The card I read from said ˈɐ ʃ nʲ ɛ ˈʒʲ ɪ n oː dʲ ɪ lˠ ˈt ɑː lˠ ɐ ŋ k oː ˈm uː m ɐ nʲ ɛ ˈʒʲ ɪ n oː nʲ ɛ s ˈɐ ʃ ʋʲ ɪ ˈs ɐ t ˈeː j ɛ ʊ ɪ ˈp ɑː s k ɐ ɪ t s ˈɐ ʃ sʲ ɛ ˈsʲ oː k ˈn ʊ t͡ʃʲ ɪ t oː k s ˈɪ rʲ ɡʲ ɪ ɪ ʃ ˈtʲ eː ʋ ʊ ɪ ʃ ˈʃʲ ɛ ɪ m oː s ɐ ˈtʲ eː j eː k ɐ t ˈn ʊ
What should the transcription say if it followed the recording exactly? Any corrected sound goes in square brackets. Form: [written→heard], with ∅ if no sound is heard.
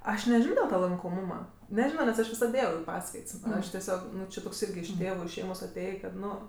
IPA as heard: ˈɐ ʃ nʲ ɛ ˈʒʲ ɪ n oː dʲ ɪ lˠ ˈt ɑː lˠ ɐ ŋ k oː ˈm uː m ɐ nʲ ɛ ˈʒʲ ɪ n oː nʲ ɛ s ˈɐ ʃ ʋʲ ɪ ˈs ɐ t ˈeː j ɛ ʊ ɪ ˈp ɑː s k ɐ ɪ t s ˈɐ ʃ [sʲ→tʲ] ɛ ˈsʲ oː k ˈn ʊ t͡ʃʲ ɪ t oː k s ˈɪ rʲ ɡʲ ɪ ɪ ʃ ˈtʲ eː ʋ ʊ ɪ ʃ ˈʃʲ ɛ ɪ m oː s ɐ ˈtʲ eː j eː k ɐ t ˈn ʊ